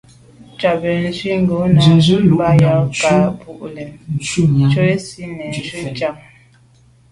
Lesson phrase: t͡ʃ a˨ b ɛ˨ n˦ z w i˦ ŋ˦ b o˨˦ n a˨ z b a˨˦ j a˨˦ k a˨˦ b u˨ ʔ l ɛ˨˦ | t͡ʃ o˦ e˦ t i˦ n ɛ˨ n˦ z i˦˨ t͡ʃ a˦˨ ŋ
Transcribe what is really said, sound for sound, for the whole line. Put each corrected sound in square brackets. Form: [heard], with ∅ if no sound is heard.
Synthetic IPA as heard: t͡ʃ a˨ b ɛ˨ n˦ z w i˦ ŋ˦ [ɡ] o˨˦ n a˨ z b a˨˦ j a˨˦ k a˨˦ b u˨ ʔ l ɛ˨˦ | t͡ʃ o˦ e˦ [s] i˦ n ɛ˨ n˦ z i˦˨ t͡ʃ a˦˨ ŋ